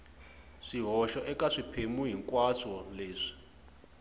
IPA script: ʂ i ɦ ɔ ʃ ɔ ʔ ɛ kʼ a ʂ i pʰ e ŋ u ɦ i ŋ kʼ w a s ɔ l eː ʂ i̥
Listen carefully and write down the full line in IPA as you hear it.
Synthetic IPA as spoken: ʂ i ɦ ɔ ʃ ɔ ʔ ɛ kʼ a ʂ i pʰ e m u ɦ i ŋ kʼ w a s ɔ l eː ʂ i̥